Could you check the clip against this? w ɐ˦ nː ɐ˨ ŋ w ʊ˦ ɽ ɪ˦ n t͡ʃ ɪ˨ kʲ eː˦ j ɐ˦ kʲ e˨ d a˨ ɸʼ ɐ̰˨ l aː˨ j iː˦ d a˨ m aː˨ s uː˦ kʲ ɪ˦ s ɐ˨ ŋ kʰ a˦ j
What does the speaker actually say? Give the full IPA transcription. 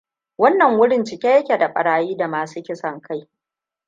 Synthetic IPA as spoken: w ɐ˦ nː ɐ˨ ŋ w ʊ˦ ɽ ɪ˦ n t͡ʃ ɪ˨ kʲ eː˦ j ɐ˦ kʲ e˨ d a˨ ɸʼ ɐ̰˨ ɽ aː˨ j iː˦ d a˨ m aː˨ s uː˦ kʲ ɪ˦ s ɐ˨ ŋ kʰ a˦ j